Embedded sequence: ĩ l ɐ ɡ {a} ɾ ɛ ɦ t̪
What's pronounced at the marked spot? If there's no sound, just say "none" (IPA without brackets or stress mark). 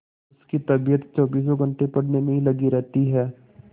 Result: i